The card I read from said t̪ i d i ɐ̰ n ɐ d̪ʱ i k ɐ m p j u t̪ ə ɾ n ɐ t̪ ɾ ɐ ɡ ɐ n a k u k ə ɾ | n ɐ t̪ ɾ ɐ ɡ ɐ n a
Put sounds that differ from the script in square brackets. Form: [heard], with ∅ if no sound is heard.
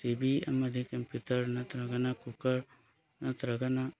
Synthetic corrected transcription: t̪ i [b] i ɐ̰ [m] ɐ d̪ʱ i k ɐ m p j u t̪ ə ɾ n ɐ t̪ ɾ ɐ ɡ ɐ n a k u k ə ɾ | n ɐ t̪ ɾ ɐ ɡ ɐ n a